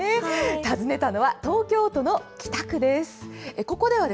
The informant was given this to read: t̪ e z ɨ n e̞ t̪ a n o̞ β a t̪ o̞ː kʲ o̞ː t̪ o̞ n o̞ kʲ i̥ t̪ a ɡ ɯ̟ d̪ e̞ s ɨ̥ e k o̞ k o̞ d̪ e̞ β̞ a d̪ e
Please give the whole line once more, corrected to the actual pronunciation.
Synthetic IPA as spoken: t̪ a z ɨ n e̞ t̪ a n o̞ β a t̪ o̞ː kʲ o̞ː t̪ o̞ n o̞ kʲ i̥ t̪ a k ɯ̟ d̪ e̞ s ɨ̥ e k o̞ k o̞ d̪ e̞ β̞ a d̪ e